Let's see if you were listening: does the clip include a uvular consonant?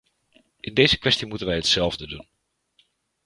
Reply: no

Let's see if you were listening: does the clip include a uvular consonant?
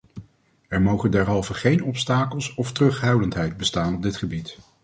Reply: yes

